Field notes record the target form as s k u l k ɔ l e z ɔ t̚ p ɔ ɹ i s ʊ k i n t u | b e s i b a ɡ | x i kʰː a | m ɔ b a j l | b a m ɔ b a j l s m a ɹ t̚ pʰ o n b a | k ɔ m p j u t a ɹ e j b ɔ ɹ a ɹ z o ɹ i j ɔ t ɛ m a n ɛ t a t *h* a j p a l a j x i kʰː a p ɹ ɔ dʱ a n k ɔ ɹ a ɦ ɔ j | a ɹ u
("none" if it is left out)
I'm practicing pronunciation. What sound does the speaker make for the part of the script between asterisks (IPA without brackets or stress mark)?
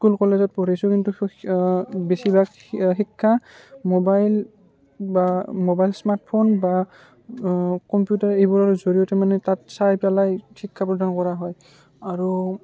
s